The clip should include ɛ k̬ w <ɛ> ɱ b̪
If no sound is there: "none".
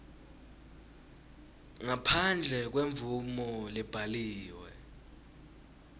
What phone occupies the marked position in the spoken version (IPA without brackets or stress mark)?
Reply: e